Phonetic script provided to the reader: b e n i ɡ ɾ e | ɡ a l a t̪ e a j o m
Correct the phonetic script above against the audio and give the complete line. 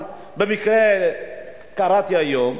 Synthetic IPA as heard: b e m i k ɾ e | k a ɾ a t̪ i a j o m